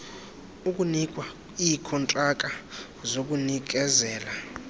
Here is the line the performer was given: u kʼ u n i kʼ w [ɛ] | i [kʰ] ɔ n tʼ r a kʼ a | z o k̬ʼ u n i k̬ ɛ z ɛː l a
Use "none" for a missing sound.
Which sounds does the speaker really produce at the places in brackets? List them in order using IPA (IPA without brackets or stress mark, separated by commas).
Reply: a, kʰ